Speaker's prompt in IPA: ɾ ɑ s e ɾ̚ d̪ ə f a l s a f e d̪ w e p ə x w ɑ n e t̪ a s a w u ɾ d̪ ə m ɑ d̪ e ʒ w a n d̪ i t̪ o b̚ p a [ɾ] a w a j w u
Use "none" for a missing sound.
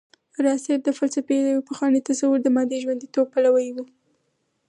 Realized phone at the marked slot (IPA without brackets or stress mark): l